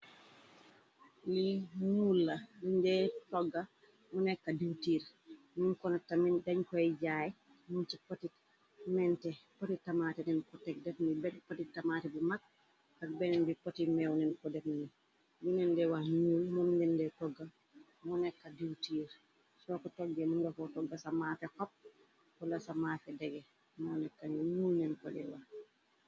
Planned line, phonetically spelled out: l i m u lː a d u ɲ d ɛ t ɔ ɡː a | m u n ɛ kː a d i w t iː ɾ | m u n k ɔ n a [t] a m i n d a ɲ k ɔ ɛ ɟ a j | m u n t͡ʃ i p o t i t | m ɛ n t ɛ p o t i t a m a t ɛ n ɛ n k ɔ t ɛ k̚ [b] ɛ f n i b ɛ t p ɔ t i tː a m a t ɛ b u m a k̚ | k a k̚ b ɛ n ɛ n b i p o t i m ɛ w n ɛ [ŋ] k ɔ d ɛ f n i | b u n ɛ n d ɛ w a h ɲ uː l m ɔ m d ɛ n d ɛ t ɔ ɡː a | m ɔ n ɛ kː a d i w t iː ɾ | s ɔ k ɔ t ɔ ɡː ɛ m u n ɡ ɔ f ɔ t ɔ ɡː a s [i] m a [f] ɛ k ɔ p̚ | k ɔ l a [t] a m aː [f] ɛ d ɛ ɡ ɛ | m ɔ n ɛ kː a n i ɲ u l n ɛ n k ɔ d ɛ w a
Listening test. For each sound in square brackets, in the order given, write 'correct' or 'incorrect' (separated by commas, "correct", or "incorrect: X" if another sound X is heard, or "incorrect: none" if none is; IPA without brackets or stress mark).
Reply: correct, incorrect: d, incorrect: n, incorrect: a, correct, incorrect: s, correct